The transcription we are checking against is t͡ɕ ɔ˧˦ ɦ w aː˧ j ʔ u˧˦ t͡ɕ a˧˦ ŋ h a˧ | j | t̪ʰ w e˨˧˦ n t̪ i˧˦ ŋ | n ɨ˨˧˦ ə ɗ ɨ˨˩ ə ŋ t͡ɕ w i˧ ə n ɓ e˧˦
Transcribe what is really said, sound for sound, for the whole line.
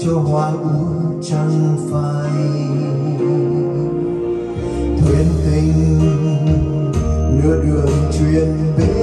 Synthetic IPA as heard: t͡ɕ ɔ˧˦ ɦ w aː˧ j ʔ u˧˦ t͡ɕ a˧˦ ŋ f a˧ | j | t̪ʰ w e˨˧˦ n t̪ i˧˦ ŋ | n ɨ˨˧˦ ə ɗ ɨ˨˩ ə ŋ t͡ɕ w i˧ ə n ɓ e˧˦